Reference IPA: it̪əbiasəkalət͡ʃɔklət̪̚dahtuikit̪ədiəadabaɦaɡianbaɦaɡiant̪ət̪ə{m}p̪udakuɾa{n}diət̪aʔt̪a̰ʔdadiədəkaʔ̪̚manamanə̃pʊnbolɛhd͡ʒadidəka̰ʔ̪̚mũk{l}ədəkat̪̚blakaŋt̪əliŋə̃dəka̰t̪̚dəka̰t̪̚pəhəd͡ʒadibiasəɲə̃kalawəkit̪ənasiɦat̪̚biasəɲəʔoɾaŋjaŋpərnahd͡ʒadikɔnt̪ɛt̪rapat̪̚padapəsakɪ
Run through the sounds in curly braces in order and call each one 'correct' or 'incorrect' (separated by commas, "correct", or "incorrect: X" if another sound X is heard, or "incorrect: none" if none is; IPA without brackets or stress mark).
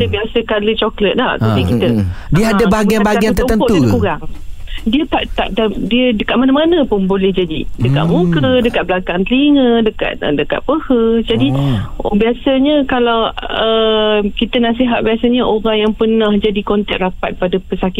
incorrect: n, incorrect: ŋ, incorrect: ɾ